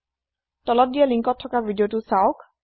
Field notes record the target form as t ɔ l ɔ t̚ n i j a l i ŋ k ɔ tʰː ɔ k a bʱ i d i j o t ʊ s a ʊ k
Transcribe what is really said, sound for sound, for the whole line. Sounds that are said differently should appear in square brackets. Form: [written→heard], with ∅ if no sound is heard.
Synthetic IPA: t ɔ l ɔ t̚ [n→d] i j a l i ŋ k ɔ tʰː ɔ k a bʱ i d i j o t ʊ s a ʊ k

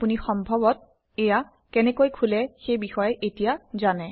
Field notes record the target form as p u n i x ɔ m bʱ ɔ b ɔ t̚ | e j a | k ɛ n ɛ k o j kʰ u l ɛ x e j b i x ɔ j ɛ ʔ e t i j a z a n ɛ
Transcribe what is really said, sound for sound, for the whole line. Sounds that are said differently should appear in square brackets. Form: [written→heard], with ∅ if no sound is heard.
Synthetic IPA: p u n i x ɔ m bʱ ɔ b ɔ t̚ | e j a | k ɛ n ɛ k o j kʰ u l ɛ x e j b i x ɔ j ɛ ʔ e t i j a z a n ɛ

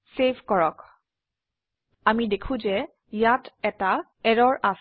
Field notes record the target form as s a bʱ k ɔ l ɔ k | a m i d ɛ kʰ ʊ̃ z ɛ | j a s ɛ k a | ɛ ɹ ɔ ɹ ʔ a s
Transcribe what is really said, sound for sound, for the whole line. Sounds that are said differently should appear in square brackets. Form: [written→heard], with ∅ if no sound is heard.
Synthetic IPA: s [a→e] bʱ k ɔ [l→ɹ] ɔ k | a m i d [ɛ→e] kʰ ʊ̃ z ɛ | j a [s→t] ɛ [k→t] a | ɛ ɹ ɔ ɹ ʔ a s

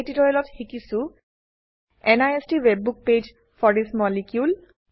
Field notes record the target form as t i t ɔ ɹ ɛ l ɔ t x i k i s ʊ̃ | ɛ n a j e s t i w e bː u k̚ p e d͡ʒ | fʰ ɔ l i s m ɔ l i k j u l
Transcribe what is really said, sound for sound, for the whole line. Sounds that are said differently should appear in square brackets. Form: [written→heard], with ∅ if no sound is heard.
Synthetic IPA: t i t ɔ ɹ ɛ l ɔ t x i k i s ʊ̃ | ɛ n a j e s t i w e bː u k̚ p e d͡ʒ | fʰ ɔ [l→ɹ] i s m ɔ l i k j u l

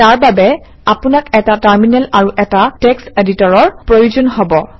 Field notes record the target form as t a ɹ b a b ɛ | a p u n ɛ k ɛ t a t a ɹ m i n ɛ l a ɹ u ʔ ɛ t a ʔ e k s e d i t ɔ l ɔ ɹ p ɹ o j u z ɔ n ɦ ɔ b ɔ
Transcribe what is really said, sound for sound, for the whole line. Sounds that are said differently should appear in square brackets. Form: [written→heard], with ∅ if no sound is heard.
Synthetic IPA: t a ɹ b a b ɛ | a p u n [ɛ→a] k ɛ t a t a ɹ m i n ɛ l a ɹ u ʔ ɛ t a [ʔ→t] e k s e d i t ɔ [l→ɹ] ɔ ɹ p ɹ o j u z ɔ n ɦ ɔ b ɔ

